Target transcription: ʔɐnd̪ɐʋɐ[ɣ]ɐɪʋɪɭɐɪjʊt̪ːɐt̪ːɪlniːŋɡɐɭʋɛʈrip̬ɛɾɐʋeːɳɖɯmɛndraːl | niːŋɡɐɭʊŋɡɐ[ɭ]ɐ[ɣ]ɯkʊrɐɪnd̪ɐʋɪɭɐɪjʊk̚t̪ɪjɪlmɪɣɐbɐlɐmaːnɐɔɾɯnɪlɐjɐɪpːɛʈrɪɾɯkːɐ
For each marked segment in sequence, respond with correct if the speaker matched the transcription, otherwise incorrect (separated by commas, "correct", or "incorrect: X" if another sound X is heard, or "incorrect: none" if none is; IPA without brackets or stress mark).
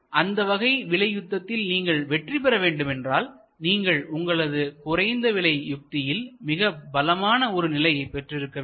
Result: correct, correct, incorrect: ð